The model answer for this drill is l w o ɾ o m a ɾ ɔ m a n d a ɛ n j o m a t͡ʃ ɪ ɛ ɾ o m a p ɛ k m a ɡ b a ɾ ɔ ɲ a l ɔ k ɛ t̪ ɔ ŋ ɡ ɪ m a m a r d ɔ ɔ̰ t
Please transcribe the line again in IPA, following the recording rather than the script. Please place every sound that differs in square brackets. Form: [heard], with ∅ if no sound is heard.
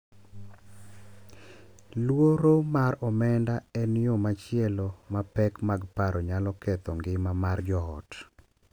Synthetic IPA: l w o ɾ o m a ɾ ɔ m [ɛ] n d a ɛ n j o m a t͡ʃ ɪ ɛ [l] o m a p ɛ k m a ɡ [p] a ɾ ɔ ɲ a l ɔ k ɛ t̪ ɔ ŋ ɡ ɪ m a m a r [d͡ʒ] ɔ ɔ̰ t